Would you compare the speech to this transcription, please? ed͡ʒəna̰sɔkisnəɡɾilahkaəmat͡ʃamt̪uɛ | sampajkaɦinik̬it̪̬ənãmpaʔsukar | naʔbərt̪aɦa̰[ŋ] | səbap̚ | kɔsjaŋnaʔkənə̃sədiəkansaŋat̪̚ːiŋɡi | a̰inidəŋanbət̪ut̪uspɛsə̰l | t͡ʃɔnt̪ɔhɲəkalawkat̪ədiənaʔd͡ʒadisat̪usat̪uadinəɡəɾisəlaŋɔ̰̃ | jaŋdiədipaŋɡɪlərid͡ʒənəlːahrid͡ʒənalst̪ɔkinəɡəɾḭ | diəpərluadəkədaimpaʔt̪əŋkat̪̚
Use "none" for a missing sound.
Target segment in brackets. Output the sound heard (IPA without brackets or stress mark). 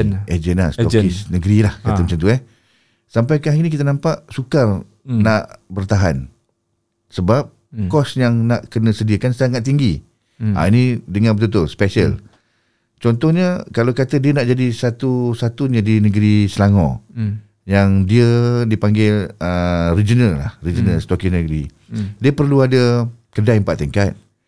n